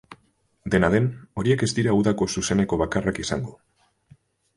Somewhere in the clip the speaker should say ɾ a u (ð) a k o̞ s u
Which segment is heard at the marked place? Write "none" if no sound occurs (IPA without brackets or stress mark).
ð